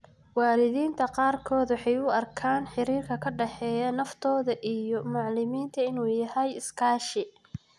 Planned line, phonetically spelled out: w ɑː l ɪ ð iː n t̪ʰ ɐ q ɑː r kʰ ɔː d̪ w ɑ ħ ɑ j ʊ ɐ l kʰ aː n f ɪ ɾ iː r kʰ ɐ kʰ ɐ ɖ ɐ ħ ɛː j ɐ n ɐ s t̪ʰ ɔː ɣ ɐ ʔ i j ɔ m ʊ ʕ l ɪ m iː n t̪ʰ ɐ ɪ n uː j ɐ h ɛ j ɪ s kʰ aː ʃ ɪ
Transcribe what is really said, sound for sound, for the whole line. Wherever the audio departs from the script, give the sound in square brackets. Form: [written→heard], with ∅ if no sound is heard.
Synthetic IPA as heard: w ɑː l ɪ ð iː n t̪ʰ ɐ q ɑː r kʰ ɔː d̪ w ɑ ħ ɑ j ʊ ɐ [l→r] kʰ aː n [f→ħ] ɪ ɾ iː r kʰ ɐ kʰ ɐ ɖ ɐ ħ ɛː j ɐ n ɐ [s→f] t̪ʰ ɔː [ɣ→ð] ɐ ʔ i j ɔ m ʊ ʕ l ɪ m iː n t̪ʰ ɐ ɪ n uː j ɐ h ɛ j ɪ s kʰ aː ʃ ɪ